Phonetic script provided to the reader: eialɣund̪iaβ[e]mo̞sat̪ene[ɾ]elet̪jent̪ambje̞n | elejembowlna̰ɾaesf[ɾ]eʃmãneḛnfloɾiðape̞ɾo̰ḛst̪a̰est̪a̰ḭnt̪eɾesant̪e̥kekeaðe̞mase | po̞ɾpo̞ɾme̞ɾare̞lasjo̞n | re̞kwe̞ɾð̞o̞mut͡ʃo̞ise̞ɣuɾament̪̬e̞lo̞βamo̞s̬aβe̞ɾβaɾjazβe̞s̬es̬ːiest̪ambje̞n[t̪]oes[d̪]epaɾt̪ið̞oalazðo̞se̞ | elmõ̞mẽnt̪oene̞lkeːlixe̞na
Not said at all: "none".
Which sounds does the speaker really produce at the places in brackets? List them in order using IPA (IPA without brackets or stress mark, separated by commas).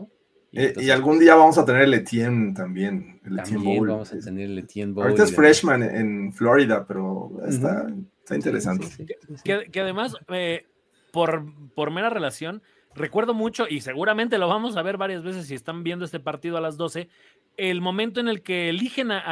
a, ɾ, ɾ, d̪, t̪